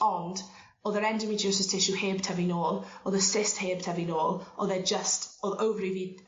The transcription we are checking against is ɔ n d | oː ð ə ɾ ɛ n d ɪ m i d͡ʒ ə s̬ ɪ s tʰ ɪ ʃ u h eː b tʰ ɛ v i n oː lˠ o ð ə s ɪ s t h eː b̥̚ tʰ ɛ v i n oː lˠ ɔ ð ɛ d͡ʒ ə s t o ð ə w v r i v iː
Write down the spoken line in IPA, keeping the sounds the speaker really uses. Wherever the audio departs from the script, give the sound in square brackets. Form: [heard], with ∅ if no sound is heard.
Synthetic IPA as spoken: ɔ n d | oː ð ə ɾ ɛ n d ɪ m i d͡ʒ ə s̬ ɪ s tʰ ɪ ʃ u h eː b tʰ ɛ v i n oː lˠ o ð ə s ɪ s t h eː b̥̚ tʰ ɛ v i n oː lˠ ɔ ð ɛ d͡ʒ ə s t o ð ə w v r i v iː